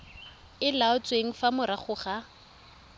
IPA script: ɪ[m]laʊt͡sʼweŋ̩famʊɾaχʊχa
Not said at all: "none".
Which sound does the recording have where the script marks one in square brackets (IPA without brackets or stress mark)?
none